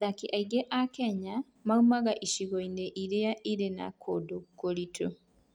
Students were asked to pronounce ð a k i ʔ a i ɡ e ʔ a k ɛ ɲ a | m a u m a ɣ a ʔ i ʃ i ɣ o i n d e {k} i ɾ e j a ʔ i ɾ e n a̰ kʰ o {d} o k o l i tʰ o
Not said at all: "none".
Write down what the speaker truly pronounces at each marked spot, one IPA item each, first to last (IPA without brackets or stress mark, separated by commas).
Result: ʔ, d